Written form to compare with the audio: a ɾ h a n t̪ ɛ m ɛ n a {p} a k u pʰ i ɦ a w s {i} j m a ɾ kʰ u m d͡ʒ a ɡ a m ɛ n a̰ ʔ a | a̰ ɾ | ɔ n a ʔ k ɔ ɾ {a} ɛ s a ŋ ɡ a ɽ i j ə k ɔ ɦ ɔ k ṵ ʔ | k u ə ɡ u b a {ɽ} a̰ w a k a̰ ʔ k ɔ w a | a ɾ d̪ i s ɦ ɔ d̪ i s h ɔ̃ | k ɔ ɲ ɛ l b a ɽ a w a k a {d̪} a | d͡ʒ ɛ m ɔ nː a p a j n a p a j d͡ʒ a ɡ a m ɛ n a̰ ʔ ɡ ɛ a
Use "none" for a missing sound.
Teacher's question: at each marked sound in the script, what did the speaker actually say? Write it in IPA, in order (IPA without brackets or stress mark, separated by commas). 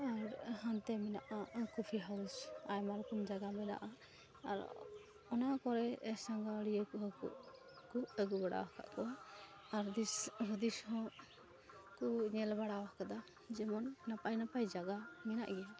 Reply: ʔ, a, ɛ, ɽ, d̪